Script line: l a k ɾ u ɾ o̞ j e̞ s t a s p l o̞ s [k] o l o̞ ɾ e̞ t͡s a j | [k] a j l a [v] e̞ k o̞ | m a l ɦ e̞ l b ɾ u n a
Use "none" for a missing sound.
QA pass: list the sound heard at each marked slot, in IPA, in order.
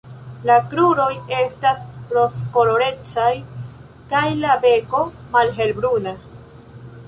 k, k, b

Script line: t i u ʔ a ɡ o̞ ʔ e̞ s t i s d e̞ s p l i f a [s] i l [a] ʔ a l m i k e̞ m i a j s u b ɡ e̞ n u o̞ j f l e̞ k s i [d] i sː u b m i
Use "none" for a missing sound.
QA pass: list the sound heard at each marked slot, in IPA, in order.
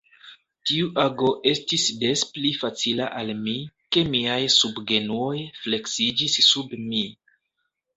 t͡s, a, d͡ʒ

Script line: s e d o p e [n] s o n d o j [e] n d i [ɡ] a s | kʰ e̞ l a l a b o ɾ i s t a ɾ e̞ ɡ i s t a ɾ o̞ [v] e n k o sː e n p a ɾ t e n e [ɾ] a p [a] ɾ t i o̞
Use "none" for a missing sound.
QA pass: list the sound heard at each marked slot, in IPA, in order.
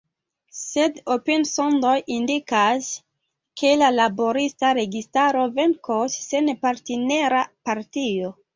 n, i, k, v, ɾ, a

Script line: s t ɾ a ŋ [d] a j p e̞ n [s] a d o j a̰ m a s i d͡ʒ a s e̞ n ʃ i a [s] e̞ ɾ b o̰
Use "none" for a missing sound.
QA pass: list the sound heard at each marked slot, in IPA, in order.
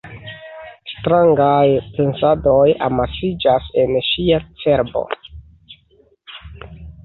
ɡ, s, t͡s

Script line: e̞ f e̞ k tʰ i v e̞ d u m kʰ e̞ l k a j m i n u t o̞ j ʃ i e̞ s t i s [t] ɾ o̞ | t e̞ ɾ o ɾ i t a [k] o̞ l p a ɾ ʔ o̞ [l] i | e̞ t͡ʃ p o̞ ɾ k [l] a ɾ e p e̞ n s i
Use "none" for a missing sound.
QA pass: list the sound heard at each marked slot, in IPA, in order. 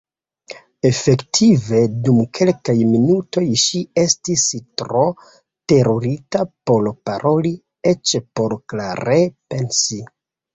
t, p, l, l

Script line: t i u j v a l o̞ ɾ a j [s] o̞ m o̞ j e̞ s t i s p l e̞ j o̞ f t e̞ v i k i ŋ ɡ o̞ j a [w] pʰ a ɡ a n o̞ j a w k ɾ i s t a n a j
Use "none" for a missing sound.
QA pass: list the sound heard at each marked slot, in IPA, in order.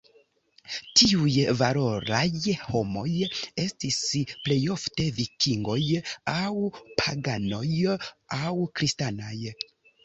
h, w

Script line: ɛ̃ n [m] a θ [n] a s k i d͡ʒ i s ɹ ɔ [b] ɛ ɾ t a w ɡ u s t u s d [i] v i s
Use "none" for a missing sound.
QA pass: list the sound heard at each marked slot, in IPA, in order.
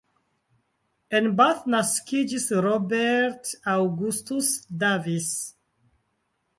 b, n, b, a

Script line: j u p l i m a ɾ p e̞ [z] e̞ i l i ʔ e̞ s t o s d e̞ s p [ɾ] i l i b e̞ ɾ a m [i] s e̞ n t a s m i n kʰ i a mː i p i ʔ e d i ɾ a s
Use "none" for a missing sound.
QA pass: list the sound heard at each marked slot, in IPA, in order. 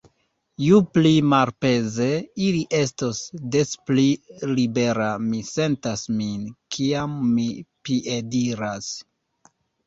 z, l, i

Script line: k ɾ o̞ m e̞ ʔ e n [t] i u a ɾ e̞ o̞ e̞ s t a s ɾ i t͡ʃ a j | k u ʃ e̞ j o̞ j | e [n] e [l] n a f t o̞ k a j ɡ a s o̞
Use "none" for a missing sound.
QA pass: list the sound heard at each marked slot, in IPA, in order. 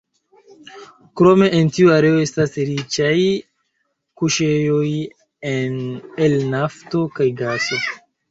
t, n, l

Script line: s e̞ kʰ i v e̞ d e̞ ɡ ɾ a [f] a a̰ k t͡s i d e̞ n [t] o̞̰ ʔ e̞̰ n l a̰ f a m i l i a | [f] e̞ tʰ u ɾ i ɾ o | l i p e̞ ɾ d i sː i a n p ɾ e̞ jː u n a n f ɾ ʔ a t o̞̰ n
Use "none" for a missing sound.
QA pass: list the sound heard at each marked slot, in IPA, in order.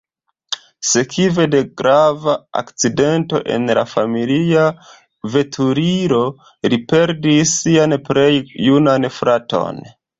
v, t, v

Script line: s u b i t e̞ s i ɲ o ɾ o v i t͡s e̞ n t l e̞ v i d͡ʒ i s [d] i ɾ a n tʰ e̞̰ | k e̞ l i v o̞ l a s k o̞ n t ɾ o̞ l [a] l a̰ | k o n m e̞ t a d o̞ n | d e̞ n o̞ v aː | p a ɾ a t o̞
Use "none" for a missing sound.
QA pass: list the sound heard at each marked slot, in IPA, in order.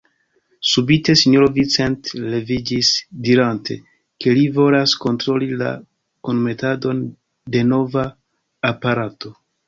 d, i

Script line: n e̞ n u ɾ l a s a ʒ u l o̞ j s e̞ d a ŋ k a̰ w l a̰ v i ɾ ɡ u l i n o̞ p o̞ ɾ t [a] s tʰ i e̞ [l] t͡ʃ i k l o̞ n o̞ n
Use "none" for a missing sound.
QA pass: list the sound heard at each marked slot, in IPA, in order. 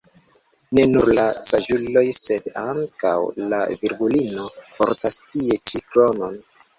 a, none

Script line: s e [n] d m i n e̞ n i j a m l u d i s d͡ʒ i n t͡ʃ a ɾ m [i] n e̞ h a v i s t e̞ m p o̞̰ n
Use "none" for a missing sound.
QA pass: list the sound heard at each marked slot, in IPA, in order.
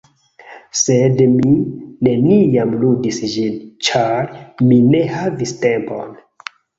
none, i

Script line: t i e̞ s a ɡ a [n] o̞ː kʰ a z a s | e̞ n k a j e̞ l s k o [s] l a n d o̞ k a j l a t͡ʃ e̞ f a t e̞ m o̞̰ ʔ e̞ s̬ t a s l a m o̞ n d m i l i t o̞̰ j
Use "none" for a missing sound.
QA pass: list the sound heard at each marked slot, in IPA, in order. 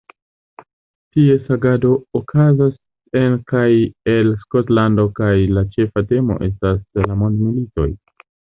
d, t

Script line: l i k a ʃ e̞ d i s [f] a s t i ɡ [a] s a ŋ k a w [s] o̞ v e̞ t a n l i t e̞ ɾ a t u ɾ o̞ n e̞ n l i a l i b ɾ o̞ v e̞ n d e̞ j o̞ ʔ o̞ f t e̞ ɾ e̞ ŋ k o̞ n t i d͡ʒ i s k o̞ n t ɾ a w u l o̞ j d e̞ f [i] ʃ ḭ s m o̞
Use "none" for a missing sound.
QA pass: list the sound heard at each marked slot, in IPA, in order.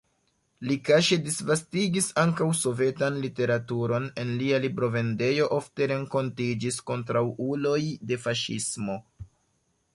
v, i, s, a

